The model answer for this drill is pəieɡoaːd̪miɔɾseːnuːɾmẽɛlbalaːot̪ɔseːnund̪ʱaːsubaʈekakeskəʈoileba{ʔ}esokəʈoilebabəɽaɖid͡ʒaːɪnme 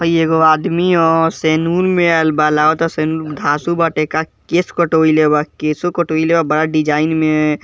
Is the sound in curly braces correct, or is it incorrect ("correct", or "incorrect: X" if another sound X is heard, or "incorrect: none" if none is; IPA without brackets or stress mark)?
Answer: incorrect: k